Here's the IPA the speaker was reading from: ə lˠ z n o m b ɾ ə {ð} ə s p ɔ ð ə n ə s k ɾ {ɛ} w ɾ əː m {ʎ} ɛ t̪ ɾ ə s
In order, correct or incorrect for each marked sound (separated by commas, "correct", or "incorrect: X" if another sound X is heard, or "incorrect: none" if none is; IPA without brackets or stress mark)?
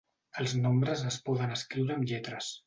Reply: incorrect: z, incorrect: i, correct